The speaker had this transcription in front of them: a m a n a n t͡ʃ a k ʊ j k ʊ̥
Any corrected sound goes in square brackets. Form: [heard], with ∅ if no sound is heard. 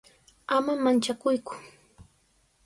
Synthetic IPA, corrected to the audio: a m a [m] a n t͡ʃ a k ʊ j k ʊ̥